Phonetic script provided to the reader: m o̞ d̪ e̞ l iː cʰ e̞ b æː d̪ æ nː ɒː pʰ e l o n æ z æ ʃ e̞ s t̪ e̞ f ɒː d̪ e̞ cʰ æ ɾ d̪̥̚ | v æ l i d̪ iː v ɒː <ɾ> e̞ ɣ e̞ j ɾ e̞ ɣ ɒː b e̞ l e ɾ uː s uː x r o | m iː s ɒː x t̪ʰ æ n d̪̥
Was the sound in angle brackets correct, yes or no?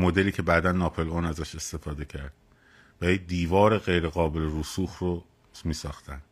yes